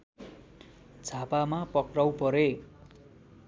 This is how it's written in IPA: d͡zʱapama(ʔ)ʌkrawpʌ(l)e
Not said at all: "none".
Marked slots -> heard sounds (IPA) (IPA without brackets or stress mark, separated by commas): p, ɾ